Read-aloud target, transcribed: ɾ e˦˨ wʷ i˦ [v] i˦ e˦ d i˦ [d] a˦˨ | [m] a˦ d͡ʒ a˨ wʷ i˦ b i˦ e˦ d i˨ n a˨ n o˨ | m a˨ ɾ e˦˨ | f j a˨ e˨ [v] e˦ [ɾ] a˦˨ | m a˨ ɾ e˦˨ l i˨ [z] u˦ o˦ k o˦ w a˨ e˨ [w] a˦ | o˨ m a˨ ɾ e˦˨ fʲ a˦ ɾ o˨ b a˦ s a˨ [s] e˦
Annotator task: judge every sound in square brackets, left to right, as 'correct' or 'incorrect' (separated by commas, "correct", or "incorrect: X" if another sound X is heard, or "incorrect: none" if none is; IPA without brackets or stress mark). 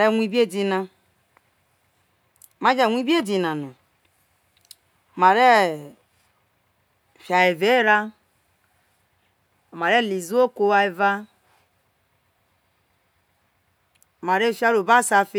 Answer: incorrect: b, incorrect: n, correct, correct, correct, correct, incorrect: v, incorrect: f